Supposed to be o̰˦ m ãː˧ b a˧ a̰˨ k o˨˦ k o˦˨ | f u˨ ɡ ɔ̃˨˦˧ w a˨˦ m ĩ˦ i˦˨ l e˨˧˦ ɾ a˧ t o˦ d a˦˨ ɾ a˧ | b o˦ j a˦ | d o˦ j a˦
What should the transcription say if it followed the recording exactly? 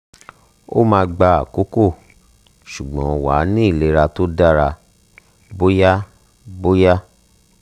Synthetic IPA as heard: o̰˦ m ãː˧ ɡ͡b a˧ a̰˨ k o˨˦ k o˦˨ | ʃ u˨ ɡ͡b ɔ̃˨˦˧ w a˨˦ n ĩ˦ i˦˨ l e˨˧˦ ɾ a˧ t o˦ d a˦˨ ɾ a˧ | b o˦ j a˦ | b o˦ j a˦